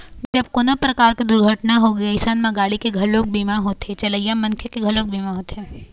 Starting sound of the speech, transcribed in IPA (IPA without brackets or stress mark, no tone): d͡ʒ